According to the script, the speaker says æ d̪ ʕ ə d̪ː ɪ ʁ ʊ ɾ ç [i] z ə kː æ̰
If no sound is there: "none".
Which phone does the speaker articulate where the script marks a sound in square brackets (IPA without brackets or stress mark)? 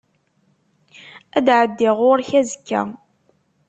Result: æ